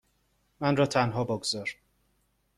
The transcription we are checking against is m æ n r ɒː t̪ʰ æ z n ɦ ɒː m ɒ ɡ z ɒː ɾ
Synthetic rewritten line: m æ n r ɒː t̪ʰ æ n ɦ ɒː b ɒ ɡ z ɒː ɾ